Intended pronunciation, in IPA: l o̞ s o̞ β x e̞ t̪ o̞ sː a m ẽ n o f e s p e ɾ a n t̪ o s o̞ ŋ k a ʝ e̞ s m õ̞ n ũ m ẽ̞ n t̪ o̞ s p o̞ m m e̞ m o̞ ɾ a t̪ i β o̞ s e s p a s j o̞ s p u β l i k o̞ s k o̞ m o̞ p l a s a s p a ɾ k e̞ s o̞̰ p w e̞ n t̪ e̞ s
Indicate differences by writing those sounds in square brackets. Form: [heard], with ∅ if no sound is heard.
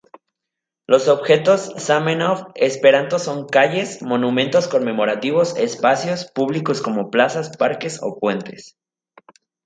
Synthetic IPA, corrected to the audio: l o̞ s o̞ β x e̞ t̪ o̞ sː a m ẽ n o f e s p e ɾ a n t̪ o s o̞ ŋ k a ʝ e̞ s m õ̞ n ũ m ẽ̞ n t̪ o̞ s [k] o̞ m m e̞ m o̞ ɾ a t̪ i β o̞ s e s p a s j o̞ s p u β l i k o̞ s k o̞ m o̞ p l a s a s p a ɾ k e̞ s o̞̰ p w e̞ n t̪ e̞ s